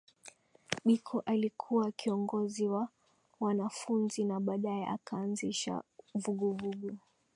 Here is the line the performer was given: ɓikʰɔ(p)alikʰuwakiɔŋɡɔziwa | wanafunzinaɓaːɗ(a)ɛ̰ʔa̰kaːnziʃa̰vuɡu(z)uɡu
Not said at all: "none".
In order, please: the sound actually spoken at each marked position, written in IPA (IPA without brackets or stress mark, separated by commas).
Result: ʔ, a, v